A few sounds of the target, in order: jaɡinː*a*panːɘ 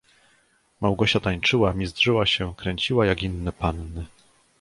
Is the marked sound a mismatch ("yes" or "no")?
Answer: yes